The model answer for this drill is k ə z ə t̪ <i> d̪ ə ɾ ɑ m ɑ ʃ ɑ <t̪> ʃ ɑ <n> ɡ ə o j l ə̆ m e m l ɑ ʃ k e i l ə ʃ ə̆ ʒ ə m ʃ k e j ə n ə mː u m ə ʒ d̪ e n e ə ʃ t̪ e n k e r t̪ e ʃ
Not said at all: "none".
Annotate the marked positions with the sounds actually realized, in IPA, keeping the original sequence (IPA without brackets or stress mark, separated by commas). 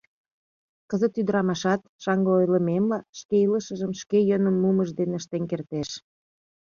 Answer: y, t̪, ŋ